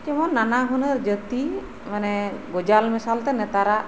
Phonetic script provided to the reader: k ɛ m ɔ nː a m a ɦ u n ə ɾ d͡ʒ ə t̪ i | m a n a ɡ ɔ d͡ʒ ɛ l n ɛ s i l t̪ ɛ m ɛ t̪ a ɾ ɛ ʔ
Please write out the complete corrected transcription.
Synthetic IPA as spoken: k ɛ m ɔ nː a n a ɦ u n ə ɾ d͡ʒ ə t̪ i | m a n ɛ ɡ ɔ d͡ʒ a l m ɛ s a l t̪ ɛ n ɛ t̪ a ɾ a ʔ